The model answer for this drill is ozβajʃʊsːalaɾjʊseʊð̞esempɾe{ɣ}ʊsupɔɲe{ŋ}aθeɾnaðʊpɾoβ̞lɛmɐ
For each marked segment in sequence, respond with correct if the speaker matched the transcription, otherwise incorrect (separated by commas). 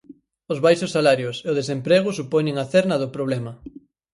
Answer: correct, correct